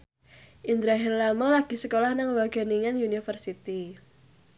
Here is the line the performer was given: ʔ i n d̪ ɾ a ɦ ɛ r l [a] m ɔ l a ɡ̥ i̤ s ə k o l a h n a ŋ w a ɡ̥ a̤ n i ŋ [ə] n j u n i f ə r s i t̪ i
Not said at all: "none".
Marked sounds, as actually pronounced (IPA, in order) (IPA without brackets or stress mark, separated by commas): a, a